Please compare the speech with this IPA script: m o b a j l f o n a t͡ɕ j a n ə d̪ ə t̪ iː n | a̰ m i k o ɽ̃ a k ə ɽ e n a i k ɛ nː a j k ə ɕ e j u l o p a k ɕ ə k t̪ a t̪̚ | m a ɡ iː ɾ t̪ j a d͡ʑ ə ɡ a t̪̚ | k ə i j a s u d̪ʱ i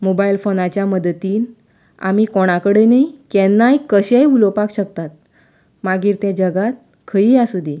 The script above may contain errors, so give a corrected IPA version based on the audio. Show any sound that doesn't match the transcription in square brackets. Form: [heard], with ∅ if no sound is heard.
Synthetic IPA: m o b a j l f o n a t͡ɕ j a [m] ə d̪ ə t̪ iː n | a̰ m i k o ɽ̃ a k ə ɽ e n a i k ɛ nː a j k ə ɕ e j u l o p a k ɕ ə k t̪ a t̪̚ | m a ɡ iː ɾ t̪ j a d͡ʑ ə ɡ a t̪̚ | [kʰ] ə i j a s u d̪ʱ i